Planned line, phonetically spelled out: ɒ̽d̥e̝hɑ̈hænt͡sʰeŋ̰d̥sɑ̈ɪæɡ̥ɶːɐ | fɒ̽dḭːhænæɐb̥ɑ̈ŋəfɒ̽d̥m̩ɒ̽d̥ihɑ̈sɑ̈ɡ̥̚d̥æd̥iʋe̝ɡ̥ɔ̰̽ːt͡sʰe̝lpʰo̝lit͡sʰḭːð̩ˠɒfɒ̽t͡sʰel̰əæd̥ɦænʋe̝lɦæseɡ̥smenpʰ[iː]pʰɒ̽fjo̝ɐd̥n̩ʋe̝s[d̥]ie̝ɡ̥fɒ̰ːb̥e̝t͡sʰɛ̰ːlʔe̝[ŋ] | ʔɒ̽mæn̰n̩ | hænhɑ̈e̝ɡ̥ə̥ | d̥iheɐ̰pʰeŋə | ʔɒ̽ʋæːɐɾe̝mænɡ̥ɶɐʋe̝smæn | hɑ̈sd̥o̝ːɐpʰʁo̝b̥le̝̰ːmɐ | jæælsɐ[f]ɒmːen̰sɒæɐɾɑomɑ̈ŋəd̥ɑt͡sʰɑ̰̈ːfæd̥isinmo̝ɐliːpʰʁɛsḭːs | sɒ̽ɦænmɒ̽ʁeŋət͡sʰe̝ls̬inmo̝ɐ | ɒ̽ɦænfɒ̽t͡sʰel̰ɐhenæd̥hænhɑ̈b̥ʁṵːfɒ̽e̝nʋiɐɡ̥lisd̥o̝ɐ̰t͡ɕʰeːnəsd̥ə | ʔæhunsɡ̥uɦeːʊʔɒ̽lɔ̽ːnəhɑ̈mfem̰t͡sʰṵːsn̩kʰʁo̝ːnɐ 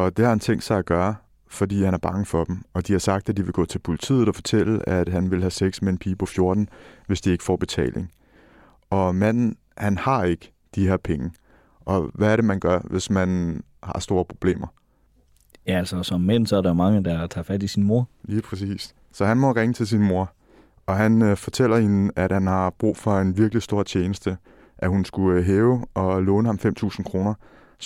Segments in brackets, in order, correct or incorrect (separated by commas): correct, correct, correct, incorrect